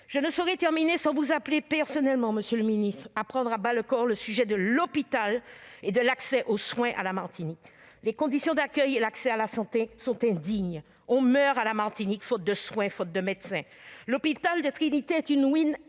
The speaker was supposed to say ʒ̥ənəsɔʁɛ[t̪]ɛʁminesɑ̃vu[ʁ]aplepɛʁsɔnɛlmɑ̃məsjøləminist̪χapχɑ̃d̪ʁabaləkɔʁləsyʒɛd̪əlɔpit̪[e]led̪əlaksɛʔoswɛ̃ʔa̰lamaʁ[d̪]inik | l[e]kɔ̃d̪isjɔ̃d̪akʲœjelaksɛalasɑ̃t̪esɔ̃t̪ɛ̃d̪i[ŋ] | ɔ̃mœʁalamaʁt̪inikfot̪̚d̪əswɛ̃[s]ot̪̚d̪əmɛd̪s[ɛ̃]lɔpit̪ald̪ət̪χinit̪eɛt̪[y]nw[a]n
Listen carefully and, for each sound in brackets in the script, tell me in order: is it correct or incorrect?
correct, incorrect: z, incorrect: a, incorrect: t̪, correct, incorrect: ɲ, incorrect: f, correct, correct, incorrect: i

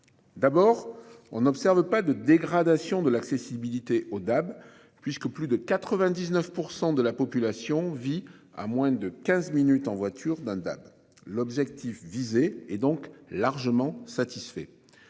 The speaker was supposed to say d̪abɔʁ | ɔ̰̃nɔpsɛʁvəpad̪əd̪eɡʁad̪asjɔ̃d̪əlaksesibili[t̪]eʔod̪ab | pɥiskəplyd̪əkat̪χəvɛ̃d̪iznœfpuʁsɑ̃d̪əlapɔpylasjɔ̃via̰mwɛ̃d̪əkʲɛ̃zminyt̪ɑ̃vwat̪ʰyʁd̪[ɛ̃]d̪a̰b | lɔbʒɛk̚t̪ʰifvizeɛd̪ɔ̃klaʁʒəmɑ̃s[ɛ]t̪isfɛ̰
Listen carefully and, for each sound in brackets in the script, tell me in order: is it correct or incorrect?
correct, correct, incorrect: a

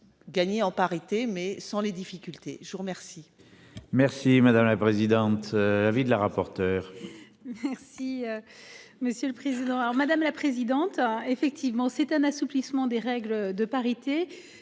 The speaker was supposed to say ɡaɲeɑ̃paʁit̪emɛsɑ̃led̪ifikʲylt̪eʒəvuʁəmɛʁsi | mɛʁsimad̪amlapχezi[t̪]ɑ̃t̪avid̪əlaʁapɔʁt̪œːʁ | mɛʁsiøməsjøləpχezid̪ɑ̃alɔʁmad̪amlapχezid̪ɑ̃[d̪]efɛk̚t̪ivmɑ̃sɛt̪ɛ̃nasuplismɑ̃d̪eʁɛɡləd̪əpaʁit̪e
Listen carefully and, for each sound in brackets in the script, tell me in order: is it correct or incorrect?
incorrect: d̪, incorrect: t̪

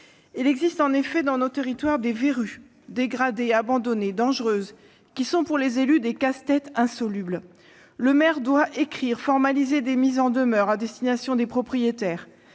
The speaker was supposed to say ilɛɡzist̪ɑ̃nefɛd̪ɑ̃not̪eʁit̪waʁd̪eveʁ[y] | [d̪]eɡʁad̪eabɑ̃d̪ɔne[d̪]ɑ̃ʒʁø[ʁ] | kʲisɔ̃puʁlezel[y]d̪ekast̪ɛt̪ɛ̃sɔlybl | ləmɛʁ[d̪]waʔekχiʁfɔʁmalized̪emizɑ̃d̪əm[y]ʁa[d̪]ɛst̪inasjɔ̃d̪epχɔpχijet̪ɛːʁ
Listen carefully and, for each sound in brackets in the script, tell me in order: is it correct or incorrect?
correct, correct, correct, incorrect: z, correct, correct, incorrect: œ, correct

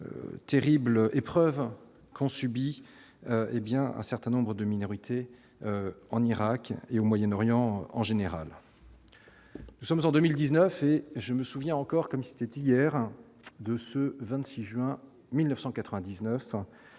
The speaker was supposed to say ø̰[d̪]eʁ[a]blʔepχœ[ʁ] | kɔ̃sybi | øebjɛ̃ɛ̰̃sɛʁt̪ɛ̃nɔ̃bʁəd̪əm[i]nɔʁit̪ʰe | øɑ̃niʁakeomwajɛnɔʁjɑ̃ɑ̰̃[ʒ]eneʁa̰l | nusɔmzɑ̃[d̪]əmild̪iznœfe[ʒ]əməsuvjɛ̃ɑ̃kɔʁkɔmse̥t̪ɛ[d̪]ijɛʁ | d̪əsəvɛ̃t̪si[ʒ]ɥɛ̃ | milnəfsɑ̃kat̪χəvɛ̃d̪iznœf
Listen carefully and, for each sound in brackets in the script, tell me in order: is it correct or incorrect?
incorrect: t̪, incorrect: i, incorrect: v, correct, correct, correct, correct, incorrect: t̪, correct

